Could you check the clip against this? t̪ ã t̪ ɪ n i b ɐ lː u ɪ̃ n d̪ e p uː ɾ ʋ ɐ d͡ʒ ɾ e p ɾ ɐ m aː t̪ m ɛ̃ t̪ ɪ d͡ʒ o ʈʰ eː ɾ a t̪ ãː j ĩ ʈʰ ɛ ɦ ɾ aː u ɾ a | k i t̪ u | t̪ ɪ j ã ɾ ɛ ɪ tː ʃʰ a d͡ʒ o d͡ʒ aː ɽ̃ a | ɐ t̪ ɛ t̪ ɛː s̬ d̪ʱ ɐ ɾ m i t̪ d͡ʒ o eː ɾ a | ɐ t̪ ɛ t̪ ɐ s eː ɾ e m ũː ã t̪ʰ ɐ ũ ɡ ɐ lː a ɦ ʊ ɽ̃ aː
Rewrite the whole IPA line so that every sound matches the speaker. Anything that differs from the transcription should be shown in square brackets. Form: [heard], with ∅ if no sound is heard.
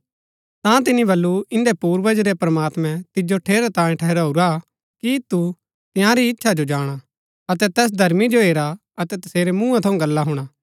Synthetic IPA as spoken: t̪ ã t̪ ɪ n i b ɐ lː u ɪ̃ n d̪ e p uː ɾ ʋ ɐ d͡ʒ ɾ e p ɾ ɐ m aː t̪ m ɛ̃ t̪ ɪ d͡ʒ o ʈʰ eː ɾ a t̪ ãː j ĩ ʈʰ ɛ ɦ ɾ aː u ɾ a | k i t̪ u | t̪ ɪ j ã ɾ [i] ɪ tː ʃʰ a d͡ʒ o d͡ʒ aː ɽ̃ a | ɐ t̪ ɛ t̪ ɛː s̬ d̪ʱ ɐ ɾ m i [∅] d͡ʒ o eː ɾ a | ɐ t̪ ɛ t̪ ɐ s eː ɾ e m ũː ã t̪ʰ ɐ ũ ɡ ɐ lː a ɦ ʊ ɽ̃ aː